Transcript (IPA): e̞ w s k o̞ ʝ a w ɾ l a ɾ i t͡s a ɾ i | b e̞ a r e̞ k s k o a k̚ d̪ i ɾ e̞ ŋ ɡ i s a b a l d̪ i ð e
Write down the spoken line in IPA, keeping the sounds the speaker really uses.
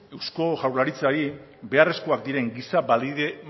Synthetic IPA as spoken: e̞ w s k o̞ ʝ a w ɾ l a ɾ i t͡s a ɾ i | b e̞ a r e̞ s k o a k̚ d̪ i ɾ e̞ ŋ ɡ i s a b a l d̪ i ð e